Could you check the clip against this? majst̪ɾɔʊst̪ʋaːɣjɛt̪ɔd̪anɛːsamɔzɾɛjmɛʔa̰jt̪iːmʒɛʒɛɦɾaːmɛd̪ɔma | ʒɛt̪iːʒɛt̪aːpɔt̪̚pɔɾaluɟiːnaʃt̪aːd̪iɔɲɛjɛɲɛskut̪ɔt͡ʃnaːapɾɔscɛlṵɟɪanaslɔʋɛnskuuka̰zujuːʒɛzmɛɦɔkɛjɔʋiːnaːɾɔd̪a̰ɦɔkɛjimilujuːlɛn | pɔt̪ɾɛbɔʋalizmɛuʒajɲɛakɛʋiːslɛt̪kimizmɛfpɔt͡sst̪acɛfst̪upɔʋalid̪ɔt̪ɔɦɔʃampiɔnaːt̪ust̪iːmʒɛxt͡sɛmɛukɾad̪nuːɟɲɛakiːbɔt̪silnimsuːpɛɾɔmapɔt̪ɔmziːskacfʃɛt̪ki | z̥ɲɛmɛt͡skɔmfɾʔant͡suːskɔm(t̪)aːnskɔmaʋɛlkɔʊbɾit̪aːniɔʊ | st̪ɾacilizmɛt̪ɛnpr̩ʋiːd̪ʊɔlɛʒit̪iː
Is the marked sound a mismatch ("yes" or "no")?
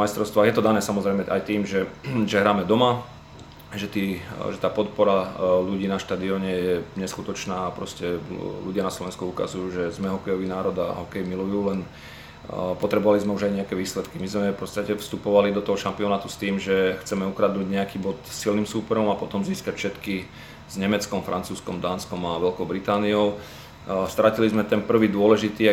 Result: yes